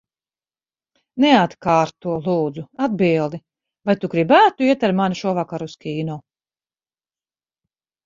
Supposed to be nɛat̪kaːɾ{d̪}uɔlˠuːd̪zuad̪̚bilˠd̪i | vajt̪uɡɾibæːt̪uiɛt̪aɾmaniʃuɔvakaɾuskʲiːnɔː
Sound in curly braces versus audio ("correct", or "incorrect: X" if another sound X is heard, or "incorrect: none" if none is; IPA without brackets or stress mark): incorrect: t̪